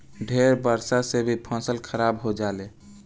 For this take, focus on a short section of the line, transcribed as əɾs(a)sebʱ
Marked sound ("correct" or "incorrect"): correct